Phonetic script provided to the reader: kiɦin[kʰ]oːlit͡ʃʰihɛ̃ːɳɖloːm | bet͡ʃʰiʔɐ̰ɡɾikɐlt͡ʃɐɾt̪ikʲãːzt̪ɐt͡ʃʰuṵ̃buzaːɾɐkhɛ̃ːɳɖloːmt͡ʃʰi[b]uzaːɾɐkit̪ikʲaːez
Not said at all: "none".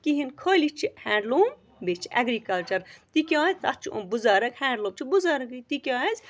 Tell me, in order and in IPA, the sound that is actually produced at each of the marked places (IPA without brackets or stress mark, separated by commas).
kʰ, b